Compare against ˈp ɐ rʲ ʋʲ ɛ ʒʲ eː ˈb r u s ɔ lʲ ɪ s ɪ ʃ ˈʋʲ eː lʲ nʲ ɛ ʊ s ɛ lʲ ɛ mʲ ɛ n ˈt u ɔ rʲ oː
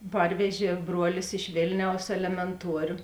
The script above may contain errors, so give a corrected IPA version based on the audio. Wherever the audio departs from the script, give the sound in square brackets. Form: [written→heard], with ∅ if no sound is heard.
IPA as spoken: ˈp ɐ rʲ ʋʲ ɛ ʒʲ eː ˈb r u [s→∅] ɔ lʲ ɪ s ɪ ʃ ˈʋʲ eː lʲ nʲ ɛ ʊ s ɛ lʲ ɛ mʲ ɛ n ˈt u ɔ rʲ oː